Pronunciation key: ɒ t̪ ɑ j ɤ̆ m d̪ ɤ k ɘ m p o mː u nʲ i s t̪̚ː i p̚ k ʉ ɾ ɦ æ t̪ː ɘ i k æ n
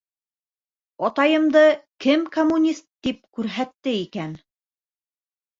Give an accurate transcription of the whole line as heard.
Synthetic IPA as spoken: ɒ t̪ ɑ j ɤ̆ m d̪ ɤ k ɘ m k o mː u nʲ i s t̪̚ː i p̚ k ʉ ɾ ɦ æ t̪ː ɘ i k æ n